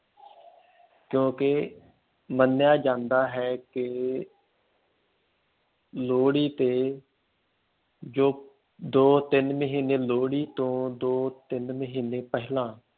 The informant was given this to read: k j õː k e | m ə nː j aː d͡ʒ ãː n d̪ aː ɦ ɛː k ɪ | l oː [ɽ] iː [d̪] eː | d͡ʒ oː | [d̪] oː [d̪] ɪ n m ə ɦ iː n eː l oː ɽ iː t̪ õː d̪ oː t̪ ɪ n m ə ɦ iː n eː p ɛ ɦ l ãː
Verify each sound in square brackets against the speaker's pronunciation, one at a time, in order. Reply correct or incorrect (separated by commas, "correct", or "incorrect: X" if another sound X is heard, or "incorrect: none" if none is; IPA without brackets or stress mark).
correct, incorrect: t̪, correct, incorrect: t̪